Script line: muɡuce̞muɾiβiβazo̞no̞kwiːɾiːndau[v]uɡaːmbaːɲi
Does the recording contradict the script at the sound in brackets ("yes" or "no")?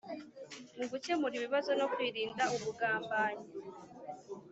yes